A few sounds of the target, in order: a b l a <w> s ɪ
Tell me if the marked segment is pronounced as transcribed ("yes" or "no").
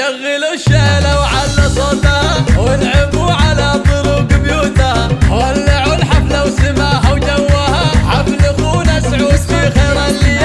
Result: yes